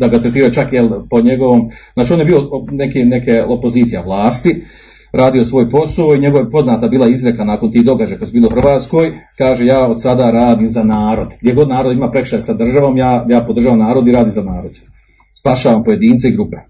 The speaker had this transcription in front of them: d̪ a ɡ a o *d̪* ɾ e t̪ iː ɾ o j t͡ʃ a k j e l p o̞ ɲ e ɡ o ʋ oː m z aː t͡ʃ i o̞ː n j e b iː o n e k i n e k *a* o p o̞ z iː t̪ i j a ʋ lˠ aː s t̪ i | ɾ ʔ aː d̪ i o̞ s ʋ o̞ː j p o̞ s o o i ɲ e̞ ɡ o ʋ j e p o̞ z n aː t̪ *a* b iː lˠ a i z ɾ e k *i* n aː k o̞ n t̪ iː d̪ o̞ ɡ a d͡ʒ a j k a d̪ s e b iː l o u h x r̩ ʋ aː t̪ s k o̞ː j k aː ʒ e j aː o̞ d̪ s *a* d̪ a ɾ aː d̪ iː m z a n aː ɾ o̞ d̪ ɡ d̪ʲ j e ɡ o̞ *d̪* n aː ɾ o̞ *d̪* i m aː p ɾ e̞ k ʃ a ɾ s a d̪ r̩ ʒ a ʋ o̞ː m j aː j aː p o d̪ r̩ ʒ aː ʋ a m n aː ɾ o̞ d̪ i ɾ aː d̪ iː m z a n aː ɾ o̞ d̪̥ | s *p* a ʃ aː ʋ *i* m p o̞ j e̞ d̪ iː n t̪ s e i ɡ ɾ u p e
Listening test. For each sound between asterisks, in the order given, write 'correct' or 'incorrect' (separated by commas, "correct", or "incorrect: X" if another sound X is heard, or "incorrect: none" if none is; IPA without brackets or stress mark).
incorrect: t̪, incorrect: e, correct, incorrect: a, correct, correct, correct, correct, incorrect: a